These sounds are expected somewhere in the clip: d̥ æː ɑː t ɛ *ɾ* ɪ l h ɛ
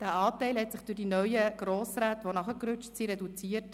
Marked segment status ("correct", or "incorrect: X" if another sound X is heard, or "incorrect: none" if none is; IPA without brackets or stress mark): incorrect: none